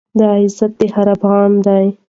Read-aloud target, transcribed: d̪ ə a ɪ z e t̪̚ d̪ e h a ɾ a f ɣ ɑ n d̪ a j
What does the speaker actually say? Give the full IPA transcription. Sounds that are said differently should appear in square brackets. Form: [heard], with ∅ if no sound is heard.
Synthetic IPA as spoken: d̪ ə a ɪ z [a] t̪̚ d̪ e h a ɾ a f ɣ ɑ n d̪ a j